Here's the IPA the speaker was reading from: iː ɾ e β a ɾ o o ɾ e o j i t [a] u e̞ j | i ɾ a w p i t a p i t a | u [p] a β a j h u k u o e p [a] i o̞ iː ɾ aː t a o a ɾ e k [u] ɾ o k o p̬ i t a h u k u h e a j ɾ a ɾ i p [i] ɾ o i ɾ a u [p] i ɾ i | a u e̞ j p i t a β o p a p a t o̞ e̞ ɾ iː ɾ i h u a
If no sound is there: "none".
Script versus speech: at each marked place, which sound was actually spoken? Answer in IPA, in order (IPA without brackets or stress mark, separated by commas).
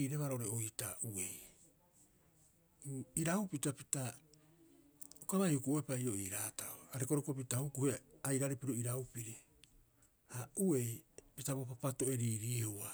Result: a, k, a, o, i, p